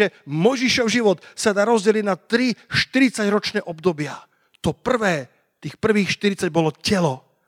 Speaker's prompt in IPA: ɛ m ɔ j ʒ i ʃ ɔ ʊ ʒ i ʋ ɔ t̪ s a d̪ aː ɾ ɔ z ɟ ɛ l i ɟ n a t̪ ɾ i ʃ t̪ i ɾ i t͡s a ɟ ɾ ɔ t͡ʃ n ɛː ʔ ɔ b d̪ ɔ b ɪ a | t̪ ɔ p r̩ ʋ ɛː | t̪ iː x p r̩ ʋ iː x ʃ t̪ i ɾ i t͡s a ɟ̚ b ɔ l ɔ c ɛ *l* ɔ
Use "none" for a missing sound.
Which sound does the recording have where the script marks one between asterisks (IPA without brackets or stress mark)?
l